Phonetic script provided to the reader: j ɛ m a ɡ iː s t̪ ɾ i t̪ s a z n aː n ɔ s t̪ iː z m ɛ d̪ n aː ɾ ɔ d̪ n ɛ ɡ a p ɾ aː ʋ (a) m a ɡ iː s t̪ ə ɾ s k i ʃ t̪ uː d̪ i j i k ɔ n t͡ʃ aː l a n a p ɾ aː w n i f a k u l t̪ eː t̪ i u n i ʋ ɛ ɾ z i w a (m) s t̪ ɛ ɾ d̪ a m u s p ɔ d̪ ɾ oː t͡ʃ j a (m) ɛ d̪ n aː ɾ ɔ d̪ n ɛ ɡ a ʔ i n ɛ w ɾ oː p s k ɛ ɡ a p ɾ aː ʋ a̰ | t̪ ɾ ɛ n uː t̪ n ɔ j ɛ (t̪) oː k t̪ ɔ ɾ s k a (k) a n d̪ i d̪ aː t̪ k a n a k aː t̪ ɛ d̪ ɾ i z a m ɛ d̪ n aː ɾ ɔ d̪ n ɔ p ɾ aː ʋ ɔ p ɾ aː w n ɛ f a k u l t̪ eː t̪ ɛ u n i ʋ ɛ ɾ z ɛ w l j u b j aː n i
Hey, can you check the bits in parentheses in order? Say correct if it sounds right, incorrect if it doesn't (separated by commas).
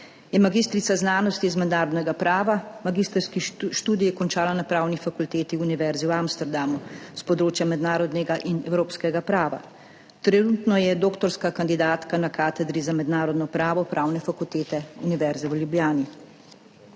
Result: correct, correct, correct, incorrect, correct